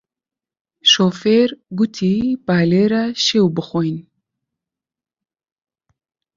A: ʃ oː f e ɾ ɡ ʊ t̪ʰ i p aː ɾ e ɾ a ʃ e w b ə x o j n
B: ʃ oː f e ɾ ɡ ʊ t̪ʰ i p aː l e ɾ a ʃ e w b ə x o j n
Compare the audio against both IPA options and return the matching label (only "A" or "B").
B